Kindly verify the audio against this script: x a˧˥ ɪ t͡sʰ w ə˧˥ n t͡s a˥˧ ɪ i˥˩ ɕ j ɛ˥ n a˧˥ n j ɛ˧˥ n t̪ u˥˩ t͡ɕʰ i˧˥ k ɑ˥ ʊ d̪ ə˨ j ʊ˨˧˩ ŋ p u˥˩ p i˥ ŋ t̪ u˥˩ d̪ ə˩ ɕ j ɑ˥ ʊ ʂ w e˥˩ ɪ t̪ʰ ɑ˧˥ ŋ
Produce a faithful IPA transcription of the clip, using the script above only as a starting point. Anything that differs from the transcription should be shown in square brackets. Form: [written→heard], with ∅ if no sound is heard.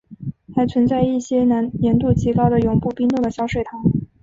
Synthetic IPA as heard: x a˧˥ ɪ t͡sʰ w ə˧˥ n t͡s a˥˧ ɪ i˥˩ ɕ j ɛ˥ n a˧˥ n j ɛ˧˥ n t̪ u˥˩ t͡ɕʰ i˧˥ k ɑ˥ ʊ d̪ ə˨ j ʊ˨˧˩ ŋ p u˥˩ p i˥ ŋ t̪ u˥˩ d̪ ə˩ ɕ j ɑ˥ ʊ ʂ w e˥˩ ɪ t̪ʰ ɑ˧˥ ŋ